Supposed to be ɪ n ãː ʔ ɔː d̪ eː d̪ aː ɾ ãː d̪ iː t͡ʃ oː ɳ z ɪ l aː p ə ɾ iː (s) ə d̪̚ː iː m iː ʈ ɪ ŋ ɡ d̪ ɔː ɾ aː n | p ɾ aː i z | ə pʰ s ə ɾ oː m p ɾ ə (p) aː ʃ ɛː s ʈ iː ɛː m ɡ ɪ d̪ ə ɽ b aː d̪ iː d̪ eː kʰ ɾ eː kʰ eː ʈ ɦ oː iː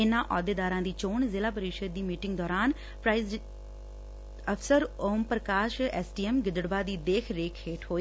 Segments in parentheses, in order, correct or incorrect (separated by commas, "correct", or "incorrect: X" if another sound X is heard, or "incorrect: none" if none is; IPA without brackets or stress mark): incorrect: ʃ, incorrect: k